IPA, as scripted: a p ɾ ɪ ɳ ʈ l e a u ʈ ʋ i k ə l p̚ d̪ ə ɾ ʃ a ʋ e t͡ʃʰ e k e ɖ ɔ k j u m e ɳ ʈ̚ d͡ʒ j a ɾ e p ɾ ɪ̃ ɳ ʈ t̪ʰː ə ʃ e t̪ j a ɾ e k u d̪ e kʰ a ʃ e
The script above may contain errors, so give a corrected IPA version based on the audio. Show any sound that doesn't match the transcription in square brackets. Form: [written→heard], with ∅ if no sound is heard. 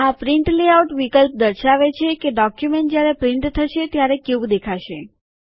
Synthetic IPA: a p ɾ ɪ ɳ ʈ l e a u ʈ ʋ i k ə l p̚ d̪ ə ɾ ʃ a ʋ e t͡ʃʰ e k e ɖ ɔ k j u m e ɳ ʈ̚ d͡ʒ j a ɾ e p ɾ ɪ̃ ɳ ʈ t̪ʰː ə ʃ e t̪ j a ɾ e k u d̪ e kʰ a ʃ e